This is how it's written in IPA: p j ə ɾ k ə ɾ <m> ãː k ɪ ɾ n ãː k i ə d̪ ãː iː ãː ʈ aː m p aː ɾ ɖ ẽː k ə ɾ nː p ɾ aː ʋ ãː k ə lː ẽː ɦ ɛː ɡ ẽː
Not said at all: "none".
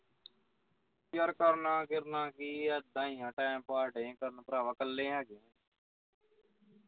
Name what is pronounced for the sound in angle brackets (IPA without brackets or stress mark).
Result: n